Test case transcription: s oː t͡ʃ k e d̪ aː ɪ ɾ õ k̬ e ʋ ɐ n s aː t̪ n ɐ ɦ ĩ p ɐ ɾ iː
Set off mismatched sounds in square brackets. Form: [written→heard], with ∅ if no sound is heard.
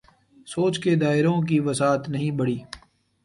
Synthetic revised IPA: s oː t͡ʃ k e d̪ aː ɪ ɾ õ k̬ [e→i] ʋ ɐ [n→∅] s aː t̪ n ɐ ɦ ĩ [p→b] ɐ [ɾ→ɽ] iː